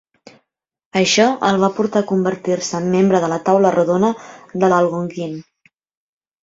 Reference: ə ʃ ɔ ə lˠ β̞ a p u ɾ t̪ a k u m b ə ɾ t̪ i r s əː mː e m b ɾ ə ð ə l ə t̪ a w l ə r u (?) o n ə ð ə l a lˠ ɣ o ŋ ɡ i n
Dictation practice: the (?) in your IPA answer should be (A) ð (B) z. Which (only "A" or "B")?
A